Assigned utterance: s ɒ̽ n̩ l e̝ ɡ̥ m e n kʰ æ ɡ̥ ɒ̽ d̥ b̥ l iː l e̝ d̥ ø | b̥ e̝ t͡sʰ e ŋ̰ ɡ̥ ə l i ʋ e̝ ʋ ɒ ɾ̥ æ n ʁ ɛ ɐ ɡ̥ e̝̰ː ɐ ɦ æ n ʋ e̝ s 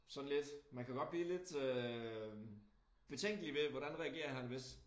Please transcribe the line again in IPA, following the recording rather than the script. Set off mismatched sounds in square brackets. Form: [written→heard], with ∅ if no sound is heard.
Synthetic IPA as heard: s ɒ̽ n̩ l e̝ [ɡ̥→d̥] m [e→æ] n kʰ æ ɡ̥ ɒ̽ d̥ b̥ l iː l e̝ d̥ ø | b̥ e̝ t͡sʰ e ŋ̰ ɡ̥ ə l i ʋ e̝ ʋ ɒ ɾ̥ æ n ʁ ɛ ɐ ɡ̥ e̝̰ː ɐ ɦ æ n ʋ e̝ s